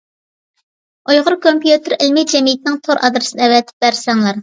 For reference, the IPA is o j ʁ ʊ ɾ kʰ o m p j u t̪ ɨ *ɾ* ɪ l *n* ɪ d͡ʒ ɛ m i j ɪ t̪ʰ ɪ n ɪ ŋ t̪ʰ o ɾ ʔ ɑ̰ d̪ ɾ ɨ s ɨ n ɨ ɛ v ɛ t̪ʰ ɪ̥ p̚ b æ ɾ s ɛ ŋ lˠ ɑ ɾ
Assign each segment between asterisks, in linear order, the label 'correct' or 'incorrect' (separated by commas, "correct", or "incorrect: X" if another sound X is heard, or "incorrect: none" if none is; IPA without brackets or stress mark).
correct, incorrect: m